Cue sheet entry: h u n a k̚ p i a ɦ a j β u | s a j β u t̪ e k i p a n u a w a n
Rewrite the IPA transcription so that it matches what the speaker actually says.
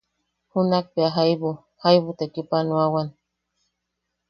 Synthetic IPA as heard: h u n a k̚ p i a ɦ a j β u | h a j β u t̪ e k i p a n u a w a n